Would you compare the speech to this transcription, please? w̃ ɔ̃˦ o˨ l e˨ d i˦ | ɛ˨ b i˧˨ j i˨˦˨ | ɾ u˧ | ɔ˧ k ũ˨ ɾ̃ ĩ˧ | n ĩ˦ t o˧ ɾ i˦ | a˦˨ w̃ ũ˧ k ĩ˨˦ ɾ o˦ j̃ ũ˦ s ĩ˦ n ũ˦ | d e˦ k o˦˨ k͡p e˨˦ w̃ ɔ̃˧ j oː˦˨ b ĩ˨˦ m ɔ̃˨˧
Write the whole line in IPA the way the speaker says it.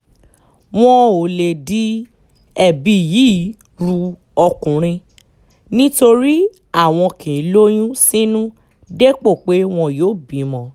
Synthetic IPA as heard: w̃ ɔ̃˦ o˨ l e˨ d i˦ | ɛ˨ b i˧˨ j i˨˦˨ | ɾ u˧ | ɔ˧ k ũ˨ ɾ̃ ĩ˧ | n ĩ˦ t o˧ ɾ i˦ | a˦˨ w̃ ɔ̃˧ k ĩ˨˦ l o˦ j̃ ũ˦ s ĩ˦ n ũ˦ | d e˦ k͡p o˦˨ k͡p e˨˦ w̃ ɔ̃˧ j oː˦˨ b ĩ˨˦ m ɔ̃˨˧